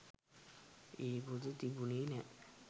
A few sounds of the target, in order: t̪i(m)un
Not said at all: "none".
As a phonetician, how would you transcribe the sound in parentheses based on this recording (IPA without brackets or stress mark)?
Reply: b